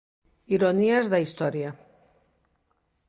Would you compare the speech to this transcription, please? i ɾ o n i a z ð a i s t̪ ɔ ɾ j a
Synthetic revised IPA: i ɾ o n i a z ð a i s t̪ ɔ ɾ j a